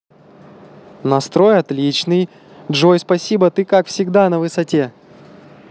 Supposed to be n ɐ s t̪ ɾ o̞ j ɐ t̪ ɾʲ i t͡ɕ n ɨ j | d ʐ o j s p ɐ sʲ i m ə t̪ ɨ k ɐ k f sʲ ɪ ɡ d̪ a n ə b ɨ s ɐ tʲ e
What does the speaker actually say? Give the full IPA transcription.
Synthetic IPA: n ɐ s t̪ ɾ o̞ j ɐ t̪ lʲ i t͡ɕ n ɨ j | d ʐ o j s p ɐ sʲ i b ə t̪ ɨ k a k f sʲ ɪ ɡ d̪ a n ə v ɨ s ɐ tʲ e

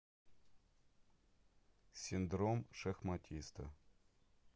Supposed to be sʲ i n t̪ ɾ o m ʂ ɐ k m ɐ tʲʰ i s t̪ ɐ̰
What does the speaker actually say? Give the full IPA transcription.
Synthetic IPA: sʲ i n d̪ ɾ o m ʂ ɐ x m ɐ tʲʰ i s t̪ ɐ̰

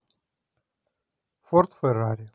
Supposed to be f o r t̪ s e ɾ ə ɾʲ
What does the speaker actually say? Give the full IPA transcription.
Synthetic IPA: f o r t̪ f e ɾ a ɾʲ

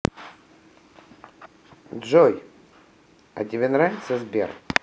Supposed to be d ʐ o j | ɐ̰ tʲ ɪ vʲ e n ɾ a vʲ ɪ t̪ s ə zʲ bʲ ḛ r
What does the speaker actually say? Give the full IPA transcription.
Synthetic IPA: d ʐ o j | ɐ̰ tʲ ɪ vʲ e n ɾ a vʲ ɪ t̪ s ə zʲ bʲ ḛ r

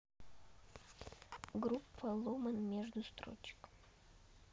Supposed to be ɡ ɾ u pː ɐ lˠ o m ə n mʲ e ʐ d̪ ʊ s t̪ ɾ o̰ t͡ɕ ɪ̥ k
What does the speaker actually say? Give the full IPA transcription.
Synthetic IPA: ɡ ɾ u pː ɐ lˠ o m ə n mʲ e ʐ d̪ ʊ s t̪ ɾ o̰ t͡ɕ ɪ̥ k

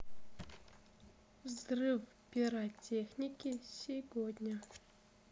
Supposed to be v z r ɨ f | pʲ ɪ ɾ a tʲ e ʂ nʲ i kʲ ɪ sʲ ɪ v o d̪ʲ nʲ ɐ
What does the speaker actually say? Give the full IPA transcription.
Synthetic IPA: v z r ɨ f | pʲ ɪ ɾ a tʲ e x nʲ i kʲ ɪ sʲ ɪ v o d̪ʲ nʲ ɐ

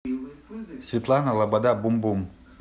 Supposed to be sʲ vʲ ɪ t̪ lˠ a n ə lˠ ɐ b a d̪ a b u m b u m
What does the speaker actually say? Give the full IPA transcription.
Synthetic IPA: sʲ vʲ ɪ t̪ lˠ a n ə lˠ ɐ b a d̪ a b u m b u m

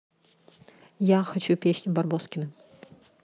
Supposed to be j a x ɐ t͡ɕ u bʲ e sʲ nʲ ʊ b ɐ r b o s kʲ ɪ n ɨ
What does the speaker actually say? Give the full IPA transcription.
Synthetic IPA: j a x ɐ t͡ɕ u pʲ e sʲ nʲ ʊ b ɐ r b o s kʲ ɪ n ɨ

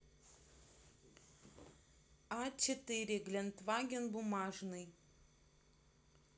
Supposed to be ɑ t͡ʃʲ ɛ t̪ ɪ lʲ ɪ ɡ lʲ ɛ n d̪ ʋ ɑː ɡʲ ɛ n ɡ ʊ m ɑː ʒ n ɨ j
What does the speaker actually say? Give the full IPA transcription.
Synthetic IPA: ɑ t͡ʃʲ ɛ t̪ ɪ ɾʲ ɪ ɡ lʲ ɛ n t̪ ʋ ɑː ɡʲ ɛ n b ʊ m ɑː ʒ n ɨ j

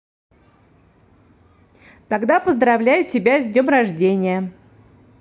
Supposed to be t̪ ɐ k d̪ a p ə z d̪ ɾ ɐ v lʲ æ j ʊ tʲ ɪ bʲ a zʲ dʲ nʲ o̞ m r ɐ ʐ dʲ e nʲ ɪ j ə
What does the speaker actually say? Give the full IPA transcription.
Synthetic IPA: t̪ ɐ ɡ d̪ a p ə z d̪ ɾ ɐ v lʲ æ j ʊ tʲ ɪ bʲ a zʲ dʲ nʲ o̞ m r ɐ ʐ dʲ e nʲ ɪ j ə

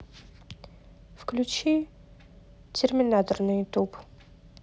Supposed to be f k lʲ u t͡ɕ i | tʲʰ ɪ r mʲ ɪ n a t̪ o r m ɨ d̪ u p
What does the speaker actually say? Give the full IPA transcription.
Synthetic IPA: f k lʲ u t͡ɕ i | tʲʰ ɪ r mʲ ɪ n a t̪ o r n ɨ t̪ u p

